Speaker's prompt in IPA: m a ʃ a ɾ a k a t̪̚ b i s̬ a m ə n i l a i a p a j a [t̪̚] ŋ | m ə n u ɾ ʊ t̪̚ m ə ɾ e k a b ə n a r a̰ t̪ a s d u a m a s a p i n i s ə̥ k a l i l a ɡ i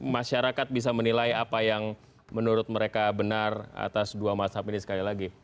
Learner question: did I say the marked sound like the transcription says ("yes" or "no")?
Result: no